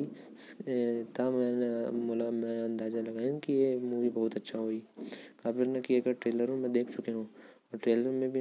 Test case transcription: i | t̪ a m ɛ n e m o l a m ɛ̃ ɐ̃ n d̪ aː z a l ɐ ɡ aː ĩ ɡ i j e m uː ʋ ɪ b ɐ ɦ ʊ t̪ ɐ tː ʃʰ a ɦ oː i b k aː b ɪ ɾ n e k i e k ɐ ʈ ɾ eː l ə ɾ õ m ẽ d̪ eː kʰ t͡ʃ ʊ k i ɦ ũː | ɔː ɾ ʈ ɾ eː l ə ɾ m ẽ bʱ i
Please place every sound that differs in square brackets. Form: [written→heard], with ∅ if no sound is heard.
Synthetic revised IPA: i | t̪ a m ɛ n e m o l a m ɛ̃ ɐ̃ n d̪ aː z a l ɐ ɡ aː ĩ [ɡ→k] i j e m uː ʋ [ɪ→i] b ɐ ɦ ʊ t̪ ɐ tː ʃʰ a ɦ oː i [b→∅] k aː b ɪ ɾ n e k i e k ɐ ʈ ɾ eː l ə ɾ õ m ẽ d̪ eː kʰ t͡ʃ ʊ k [i→e] ɦ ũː | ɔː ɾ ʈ ɾ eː l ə ɾ m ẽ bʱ i